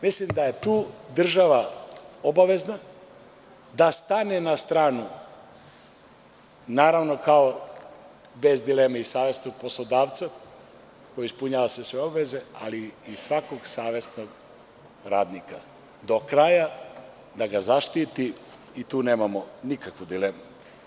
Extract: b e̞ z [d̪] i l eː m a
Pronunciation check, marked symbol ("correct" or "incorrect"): correct